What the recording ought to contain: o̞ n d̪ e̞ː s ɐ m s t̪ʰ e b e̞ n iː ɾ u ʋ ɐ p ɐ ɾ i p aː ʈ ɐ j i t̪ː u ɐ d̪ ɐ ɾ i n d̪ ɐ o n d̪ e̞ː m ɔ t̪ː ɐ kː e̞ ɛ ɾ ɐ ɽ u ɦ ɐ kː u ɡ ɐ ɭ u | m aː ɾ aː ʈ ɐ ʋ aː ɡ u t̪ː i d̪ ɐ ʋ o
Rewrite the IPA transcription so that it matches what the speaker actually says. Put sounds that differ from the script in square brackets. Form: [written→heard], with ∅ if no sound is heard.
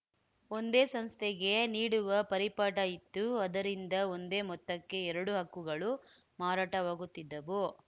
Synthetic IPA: o̞ n d̪ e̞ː s ɐ m s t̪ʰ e [b→ɡ] e̞ n iː [ɾ→ɽ] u ʋ ɐ p ɐ ɾ i p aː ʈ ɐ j i t̪ː u ɐ d̪ ɐ ɾ i n d̪ ɐ o n d̪ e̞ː m ɔ t̪ː ɐ kː e̞ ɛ ɾ ɐ ɽ u ɦ ɐ kː u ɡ ɐ ɭ u | m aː ɾ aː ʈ ɐ ʋ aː ɡ u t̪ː i [d̪→d̪ː] ɐ ʋ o

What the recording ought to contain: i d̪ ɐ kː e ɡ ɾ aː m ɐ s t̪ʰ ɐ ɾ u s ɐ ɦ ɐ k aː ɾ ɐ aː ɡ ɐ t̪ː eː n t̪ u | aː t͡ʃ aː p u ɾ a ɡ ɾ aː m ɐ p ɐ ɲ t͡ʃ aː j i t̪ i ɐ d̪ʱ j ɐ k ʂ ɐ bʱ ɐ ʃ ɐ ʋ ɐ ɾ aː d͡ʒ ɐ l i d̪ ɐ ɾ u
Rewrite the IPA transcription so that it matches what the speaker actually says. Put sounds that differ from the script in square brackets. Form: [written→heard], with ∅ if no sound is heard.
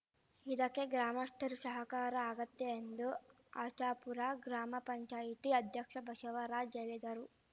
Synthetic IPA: i d̪ ɐ kː e ɡ ɾ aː m ɐ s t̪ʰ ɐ ɾ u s ɐ ɦ ɐ k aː ɾ ɐ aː ɡ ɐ t̪ː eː n [t̪→d̪] u | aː t͡ʃ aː p u ɾ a ɡ ɾ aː m ɐ p ɐ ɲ t͡ʃ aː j i t̪ i ɐ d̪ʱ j ɐ k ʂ ɐ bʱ ɐ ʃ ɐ ʋ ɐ ɾ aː d͡ʒ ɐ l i d̪ ɐ ɾ u

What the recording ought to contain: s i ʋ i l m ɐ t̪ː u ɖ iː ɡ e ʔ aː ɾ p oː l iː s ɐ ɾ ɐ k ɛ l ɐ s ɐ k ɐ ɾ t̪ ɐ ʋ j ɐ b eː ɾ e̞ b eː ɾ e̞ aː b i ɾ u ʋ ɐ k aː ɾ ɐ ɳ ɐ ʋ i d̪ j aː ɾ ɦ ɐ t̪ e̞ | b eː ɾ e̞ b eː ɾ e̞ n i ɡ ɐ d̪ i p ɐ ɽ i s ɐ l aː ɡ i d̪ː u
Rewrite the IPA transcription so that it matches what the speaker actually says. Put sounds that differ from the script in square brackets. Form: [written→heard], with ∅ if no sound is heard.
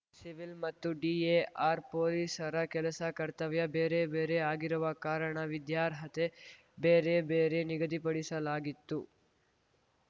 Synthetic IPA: s i ʋ i l m ɐ t̪ː u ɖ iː [ɡ→∅] e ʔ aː ɾ p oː l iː s ɐ ɾ ɐ k ɛ l ɐ s ɐ k ɐ ɾ t̪ ɐ ʋ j ɐ b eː ɾ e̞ b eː ɾ e̞ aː [b→ɡ] i ɾ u ʋ ɐ k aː ɾ ɐ ɳ ɐ ʋ i d̪ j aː ɾ ɦ ɐ t̪ e̞ | b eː ɾ e̞ b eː ɾ e̞ n i ɡ ɐ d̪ i p ɐ ɽ i s ɐ l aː ɡ i [d̪ː→t̪ː] u

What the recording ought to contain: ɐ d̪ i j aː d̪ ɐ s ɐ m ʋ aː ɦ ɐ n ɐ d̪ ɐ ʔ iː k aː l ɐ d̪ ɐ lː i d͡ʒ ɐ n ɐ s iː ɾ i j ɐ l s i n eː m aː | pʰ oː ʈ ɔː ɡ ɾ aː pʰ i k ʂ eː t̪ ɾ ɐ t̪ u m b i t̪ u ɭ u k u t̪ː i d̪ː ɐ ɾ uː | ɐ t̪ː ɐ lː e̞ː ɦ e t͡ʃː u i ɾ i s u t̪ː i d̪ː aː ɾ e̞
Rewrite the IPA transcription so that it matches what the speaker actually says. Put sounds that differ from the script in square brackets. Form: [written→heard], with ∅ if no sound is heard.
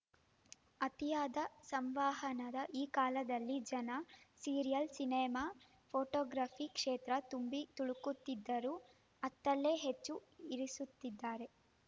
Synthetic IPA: ɐ [d̪→t̪] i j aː d̪ ɐ s ɐ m ʋ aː ɦ ɐ n ɐ d̪ ɐ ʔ iː k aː l ɐ d̪ ɐ lː i d͡ʒ ɐ n ɐ s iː ɾ i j ɐ l s i n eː m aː | pʰ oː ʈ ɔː ɡ ɾ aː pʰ i k ʂ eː t̪ ɾ ɐ t̪ u m b i t̪ u ɭ u k u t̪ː i d̪ː ɐ ɾ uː | ɐ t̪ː ɐ lː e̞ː ɦ e t͡ʃː u i ɾ i s u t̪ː i d̪ː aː ɾ e̞

